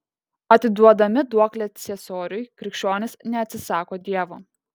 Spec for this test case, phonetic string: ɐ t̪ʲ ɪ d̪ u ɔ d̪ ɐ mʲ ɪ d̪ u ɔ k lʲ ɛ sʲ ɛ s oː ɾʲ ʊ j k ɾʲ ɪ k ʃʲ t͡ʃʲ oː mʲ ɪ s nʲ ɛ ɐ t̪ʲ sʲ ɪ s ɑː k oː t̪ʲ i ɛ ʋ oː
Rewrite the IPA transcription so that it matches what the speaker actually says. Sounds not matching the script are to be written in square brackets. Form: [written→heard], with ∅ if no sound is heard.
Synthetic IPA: ɐ t̪ʲ ɪ d̪ u ɔ d̪ ɐ mʲ ɪ d̪ u ɔ k lʲ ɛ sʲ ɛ s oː ɾʲ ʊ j k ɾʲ ɪ k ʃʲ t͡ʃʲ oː [mʲ→nʲ] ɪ s nʲ ɛ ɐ t̪ʲ sʲ ɪ s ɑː k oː [t̪ʲ→d̪ʲ] i ɛ ʋ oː